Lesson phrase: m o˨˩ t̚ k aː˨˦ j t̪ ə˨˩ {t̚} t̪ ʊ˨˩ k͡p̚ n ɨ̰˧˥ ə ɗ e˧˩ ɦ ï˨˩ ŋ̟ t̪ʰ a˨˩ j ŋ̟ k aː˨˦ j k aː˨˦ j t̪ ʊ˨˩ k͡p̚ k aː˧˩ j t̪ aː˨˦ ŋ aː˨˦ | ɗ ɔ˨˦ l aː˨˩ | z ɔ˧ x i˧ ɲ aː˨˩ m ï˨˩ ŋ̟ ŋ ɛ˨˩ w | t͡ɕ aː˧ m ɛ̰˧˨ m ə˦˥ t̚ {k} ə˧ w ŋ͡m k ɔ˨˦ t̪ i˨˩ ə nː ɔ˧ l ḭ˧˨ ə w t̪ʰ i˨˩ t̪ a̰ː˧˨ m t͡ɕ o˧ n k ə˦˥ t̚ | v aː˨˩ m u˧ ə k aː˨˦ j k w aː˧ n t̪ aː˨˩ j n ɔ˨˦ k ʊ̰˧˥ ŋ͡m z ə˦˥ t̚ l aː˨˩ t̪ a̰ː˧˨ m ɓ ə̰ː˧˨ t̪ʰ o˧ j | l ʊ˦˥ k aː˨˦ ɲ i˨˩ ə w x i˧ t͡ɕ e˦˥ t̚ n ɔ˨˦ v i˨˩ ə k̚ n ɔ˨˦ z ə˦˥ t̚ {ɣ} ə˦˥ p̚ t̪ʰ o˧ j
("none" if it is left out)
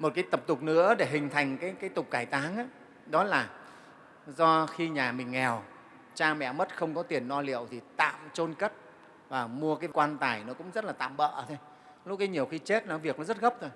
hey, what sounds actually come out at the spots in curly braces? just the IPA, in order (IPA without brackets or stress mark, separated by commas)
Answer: p̚, x, ɣ